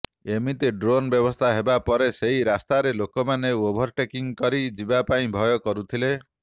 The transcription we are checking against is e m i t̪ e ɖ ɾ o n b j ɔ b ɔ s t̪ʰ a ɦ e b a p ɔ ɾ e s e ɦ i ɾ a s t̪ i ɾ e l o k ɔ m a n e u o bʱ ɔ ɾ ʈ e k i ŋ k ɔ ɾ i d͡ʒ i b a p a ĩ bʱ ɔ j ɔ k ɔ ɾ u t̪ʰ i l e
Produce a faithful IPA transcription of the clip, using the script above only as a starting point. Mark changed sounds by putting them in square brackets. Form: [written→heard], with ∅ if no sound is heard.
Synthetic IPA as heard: e m i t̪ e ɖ ɾ o n b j ɔ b ɔ s t̪ʰ a ɦ e b a p ɔ ɾ e s e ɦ i ɾ a s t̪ [i→a] ɾ e l o k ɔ m a n e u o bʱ ɔ ɾ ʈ e k i ŋ k ɔ ɾ i d͡ʒ i b a p a ĩ bʱ ɔ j ɔ k ɔ ɾ u t̪ʰ i l e